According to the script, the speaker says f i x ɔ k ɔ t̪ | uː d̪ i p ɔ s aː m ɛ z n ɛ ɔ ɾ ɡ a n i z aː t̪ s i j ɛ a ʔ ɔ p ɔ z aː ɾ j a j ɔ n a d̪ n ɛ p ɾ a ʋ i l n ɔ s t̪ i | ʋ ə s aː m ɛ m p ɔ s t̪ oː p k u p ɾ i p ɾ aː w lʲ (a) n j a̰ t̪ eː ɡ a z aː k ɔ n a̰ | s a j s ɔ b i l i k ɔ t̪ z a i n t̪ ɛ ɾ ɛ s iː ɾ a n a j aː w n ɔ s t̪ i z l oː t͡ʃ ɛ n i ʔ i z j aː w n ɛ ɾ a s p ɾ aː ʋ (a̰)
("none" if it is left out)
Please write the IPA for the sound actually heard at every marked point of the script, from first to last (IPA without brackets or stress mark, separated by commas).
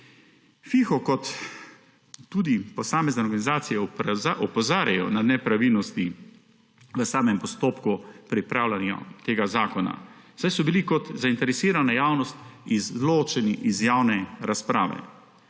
a, ɛ̰